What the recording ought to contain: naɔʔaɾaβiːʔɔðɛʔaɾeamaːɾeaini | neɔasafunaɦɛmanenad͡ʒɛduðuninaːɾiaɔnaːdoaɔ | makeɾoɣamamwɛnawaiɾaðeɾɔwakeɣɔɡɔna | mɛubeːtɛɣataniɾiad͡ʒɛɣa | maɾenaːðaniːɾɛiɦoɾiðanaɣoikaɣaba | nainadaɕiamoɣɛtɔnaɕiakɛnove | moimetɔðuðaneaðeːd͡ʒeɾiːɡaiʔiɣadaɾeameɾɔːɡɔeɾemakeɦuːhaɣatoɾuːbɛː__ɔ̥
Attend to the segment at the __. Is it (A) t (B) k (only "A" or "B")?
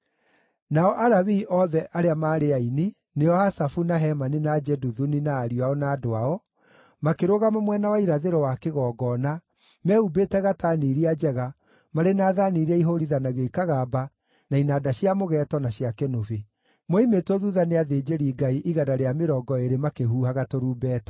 A